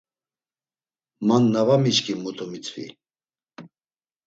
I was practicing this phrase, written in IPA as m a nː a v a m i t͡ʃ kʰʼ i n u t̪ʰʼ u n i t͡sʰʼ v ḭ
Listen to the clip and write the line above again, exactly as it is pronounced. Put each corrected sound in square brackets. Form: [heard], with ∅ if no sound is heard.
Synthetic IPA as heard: m a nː a v a m i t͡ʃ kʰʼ i [m] u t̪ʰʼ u [m] i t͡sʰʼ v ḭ

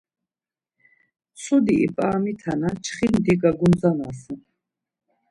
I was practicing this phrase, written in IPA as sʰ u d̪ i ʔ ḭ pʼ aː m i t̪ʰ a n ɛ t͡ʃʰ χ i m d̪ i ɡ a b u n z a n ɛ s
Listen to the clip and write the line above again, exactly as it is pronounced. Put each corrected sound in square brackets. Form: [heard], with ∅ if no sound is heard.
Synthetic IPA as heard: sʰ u d̪ i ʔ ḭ pʼ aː m i t̪ʰ a n [a] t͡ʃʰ χ i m d̪ i ɡ a [ɡ] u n z a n [a] s

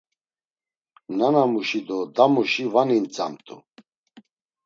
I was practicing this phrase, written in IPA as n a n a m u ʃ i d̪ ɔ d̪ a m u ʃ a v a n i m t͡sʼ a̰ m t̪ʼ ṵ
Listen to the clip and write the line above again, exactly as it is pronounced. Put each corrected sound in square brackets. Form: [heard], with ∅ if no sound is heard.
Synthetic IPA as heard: n a n a m u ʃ i d̪ ɔ d̪ a m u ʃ [i] v a n i [n] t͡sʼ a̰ m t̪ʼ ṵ

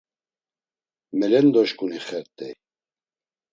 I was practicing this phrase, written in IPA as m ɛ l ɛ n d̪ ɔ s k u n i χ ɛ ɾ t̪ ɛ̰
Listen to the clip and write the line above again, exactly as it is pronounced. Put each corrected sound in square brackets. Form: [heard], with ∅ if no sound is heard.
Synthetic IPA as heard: m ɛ l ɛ n d̪ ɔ [ʃ] k u n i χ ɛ ɾ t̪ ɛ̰

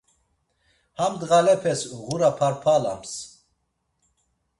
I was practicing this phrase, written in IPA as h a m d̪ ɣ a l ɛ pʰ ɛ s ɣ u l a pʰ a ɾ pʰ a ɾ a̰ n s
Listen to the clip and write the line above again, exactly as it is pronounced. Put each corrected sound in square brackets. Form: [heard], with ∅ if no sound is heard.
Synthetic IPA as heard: h a m d̪ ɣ a l ɛ pʰ ɛ s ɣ u [ɾ] a pʰ a ɾ pʰ a [l] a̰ [m] s

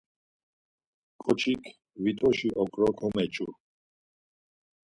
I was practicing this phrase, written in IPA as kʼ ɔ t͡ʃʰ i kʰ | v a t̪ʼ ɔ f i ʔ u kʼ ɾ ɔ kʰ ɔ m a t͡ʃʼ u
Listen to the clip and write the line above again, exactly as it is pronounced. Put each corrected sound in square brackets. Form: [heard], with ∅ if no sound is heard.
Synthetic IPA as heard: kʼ ɔ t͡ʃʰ i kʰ | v [i] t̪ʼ ɔ [ʃ] i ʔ [ɔ] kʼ ɾ ɔ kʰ ɔ m [ɛ] t͡ʃʼ u

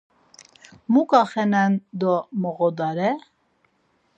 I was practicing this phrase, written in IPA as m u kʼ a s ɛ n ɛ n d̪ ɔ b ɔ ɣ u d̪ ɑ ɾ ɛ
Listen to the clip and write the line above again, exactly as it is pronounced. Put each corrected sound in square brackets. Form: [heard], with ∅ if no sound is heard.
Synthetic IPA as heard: m u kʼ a [χ] ɛ n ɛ n d̪ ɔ [m] ɔ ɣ [ɔ] d̪ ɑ ɾ ɛ

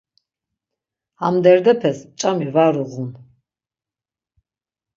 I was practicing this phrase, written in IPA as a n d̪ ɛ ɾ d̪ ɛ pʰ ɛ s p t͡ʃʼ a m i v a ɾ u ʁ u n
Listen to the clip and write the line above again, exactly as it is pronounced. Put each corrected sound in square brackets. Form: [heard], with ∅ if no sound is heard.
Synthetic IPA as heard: a [m] d̪ ɛ ɾ d̪ ɛ pʰ ɛ s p t͡ʃʼ a m i v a ɾ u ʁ u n

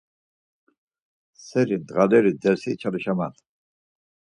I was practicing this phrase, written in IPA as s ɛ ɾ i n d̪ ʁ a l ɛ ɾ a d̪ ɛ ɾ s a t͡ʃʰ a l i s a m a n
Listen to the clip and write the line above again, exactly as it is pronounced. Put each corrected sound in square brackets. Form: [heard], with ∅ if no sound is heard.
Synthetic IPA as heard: s ɛ ɾ i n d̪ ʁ a l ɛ ɾ [i] d̪ ɛ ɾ s [i] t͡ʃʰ a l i [ʃ] a m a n

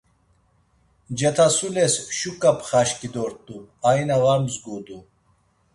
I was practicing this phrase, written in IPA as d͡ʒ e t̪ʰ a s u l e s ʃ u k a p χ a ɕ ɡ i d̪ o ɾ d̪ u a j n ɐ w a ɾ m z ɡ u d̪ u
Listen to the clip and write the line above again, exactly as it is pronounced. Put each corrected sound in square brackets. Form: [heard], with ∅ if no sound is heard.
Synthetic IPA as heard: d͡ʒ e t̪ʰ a s u l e s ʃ u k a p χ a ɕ [k] i d̪ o ɾ [t̪] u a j n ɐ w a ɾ m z ɡ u d̪ u

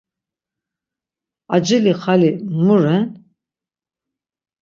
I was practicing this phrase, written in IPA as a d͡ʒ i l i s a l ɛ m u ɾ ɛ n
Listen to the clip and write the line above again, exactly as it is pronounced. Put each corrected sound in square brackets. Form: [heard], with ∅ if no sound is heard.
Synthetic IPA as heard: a d͡ʒ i l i [χ] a l [i] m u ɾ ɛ n

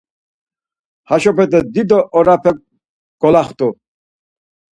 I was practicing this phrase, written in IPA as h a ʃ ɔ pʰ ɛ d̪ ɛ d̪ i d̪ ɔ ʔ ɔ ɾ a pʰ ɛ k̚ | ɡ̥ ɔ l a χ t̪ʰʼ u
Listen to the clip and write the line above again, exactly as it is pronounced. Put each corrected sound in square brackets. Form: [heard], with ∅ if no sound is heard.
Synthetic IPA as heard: h a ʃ ɔ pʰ ɛ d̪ ɛ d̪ i d̪ ɔ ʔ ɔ ɾ a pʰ ɛ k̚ | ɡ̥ ɔ l a χ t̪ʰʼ u

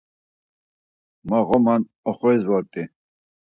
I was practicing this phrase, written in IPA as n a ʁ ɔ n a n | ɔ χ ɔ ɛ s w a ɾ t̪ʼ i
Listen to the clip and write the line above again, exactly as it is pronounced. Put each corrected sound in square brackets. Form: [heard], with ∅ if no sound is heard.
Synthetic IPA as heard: [m] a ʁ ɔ [m] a n | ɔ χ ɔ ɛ [z] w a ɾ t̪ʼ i

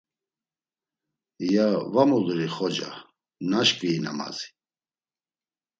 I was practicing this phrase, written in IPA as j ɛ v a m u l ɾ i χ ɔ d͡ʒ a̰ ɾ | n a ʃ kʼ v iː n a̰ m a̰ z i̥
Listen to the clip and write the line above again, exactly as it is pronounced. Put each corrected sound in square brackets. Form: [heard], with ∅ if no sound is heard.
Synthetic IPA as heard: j [a] v a m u l ɾ i χ ɔ d͡ʒ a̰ [∅] | n a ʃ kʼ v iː n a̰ m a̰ z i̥

